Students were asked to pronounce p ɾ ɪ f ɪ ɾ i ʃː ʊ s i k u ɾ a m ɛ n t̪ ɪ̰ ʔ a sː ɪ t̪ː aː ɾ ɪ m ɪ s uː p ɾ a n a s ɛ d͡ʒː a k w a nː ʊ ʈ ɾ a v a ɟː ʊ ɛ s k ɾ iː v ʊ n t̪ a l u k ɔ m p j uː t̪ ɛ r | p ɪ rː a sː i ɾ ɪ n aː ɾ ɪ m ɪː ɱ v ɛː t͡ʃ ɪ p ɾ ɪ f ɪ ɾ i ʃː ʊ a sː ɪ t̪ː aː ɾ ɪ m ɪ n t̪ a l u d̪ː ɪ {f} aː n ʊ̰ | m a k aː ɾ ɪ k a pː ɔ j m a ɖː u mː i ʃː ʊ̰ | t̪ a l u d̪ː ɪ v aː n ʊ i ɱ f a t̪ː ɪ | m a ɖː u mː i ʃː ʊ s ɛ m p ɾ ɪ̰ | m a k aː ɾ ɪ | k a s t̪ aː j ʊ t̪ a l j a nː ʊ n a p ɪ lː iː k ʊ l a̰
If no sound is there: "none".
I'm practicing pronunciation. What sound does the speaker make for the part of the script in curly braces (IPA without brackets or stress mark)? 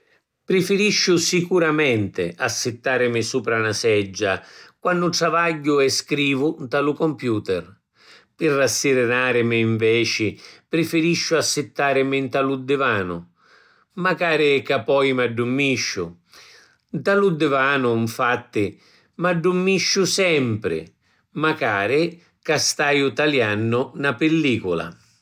v